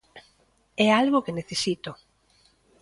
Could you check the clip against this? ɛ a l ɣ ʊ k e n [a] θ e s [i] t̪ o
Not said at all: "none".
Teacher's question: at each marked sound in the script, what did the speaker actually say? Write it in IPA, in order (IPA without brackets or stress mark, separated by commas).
e, i